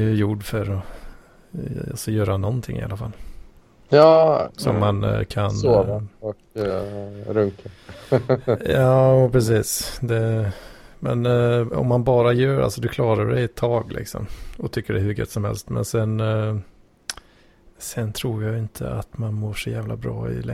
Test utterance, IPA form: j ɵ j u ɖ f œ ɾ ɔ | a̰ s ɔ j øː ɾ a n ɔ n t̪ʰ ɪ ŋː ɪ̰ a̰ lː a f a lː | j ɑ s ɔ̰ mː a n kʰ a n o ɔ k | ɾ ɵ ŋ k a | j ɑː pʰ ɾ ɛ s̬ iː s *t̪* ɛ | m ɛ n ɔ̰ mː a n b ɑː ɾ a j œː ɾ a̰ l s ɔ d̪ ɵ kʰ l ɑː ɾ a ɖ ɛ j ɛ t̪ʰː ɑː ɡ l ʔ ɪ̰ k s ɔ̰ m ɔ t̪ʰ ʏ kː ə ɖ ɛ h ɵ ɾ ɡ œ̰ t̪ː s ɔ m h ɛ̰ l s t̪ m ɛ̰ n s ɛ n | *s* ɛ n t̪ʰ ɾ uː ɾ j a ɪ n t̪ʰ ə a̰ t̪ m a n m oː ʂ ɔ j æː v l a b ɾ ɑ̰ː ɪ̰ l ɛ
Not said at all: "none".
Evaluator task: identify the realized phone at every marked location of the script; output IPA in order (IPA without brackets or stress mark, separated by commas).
d̪, s